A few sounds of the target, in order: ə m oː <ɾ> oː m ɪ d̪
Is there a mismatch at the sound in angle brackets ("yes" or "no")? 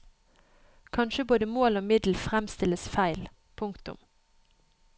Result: yes